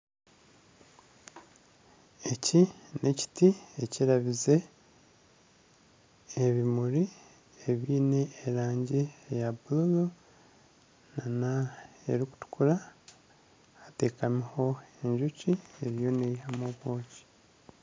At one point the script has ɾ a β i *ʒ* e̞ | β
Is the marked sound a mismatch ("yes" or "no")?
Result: yes